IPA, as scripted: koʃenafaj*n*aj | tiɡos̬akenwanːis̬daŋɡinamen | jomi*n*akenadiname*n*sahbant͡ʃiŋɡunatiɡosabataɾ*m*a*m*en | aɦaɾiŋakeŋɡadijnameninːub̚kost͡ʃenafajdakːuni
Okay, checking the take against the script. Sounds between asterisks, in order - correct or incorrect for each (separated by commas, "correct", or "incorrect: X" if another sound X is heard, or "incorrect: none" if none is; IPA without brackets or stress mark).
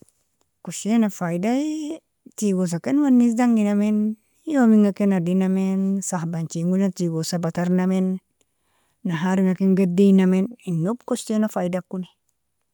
incorrect: d, incorrect: ŋ, correct, incorrect: n, correct